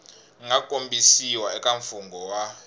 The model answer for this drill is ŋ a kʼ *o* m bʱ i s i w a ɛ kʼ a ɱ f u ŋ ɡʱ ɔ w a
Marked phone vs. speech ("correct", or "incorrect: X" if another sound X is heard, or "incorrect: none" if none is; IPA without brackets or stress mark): correct